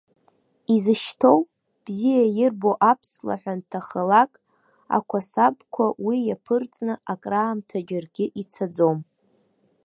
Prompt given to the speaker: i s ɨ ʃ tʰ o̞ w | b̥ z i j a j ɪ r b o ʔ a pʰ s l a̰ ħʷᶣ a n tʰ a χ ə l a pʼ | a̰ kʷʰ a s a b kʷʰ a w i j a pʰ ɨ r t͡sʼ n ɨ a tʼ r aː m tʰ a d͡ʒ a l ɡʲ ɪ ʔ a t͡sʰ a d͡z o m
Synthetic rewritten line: i z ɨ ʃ tʰ o̞ w | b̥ z i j a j ɪ r b o ʔ a pʰ s l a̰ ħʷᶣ a n tʰ a χ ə l a kʼ | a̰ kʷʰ a s a b kʷʰ a w i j a pʰ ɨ r t͡sʼ n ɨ a kʼ r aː m tʰ a d͡ʒ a r ɡʲ ɪ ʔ i t͡sʰ a d͡z o m